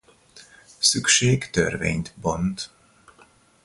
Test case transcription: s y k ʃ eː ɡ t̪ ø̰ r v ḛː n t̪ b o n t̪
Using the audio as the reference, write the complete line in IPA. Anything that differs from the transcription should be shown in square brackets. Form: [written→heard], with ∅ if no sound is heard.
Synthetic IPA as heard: s y k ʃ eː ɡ t̪ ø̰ r v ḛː [n→ɲ] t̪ b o n t̪